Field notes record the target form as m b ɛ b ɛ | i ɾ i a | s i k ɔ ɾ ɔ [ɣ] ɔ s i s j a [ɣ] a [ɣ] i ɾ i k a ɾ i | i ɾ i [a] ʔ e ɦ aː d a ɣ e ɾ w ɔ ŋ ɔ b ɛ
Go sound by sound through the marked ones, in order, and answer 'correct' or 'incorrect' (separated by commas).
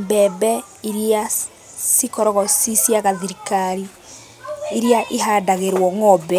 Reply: correct, correct, incorrect, correct